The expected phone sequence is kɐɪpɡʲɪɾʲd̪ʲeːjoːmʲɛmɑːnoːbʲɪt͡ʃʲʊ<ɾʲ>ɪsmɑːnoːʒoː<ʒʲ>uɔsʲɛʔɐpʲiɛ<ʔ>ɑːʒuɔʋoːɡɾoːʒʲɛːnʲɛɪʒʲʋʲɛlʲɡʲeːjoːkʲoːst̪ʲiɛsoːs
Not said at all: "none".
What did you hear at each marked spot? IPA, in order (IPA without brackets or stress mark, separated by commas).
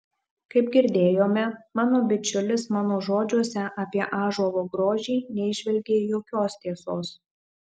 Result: lʲ, d͡ʒʲ, ʔ